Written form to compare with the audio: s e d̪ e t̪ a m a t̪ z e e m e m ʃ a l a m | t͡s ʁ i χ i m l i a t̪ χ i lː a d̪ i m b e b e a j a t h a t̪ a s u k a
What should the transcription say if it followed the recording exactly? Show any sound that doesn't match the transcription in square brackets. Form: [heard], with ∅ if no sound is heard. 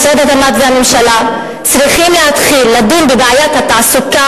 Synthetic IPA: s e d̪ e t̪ a m a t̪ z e [a] m e m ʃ a l a [∅] | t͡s ʁ i χ i m l [e] a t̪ χ i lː a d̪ i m b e b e a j a t h a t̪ a s u k a